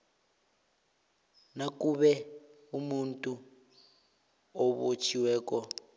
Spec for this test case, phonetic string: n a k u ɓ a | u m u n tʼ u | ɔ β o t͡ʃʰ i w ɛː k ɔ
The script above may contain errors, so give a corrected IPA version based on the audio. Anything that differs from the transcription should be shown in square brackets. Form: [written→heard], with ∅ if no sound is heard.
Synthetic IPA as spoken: n a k u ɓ [a→ɛ] | u m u n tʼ u | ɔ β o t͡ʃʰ i w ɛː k ɔ

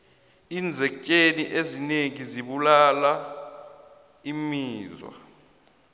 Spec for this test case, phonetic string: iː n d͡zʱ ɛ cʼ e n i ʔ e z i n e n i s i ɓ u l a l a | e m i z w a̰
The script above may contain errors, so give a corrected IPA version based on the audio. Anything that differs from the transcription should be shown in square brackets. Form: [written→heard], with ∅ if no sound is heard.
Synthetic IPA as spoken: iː n d͡zʱ ɛ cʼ e n i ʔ e z i n e [n→ŋ] i [s→z] i ɓ u l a l a | [e→i] m [i→iː] z w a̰

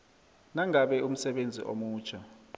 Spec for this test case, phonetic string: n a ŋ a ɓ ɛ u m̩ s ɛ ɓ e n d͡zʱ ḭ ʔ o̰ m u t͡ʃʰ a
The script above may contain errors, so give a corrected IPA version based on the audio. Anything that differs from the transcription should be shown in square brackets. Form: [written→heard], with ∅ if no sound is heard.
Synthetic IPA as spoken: n a ŋ a ɓ ɛ u m̩ s ɛ ɓ e n d͡zʱ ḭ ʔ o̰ m [u→uː] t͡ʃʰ a

